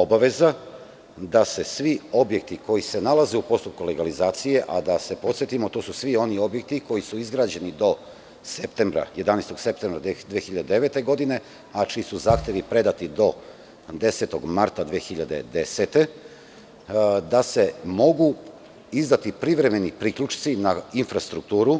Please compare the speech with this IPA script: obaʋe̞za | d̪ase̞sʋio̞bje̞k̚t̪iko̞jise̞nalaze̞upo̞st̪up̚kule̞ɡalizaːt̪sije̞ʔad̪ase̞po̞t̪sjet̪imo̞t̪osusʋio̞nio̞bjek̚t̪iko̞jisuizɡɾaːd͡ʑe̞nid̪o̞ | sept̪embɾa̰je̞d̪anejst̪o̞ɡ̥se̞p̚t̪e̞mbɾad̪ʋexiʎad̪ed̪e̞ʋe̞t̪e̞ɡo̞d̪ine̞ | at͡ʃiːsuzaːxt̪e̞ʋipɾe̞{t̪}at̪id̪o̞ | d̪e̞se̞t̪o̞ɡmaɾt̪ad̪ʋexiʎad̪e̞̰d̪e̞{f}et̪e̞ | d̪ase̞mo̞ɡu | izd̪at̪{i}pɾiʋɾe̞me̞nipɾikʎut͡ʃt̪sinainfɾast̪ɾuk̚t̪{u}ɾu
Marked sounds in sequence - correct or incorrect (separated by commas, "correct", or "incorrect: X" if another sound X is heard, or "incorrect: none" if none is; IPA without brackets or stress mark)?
incorrect: d̪, incorrect: s, correct, incorrect: uː